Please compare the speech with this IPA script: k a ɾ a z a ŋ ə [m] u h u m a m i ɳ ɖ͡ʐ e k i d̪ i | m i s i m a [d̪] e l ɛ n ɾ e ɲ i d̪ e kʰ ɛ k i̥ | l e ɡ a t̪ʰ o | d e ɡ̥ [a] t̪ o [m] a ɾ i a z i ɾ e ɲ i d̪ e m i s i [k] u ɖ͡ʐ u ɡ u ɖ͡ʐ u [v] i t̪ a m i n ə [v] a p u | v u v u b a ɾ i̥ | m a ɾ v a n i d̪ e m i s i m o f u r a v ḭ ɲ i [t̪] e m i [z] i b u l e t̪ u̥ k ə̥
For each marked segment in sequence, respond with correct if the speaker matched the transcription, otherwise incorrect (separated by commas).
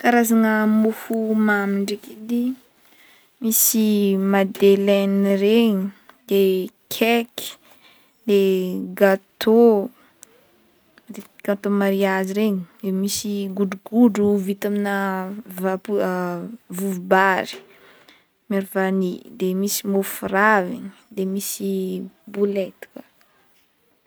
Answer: correct, correct, correct, correct, incorrect, correct, correct, incorrect, incorrect